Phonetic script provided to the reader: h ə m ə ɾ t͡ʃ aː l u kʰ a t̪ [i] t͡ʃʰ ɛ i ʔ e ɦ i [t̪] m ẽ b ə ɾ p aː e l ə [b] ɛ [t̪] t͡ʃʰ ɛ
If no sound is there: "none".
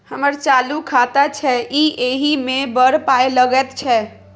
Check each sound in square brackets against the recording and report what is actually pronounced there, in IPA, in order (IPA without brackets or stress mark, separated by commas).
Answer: a, none, ɡ, t̪